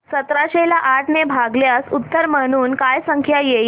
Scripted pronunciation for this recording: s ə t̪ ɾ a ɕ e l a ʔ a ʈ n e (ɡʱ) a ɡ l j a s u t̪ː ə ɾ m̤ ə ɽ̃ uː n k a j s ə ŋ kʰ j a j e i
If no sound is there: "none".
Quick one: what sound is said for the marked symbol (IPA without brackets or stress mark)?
bʱ